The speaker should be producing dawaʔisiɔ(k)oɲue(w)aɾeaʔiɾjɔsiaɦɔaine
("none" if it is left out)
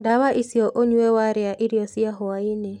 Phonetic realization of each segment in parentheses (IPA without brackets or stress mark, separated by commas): ʔ, w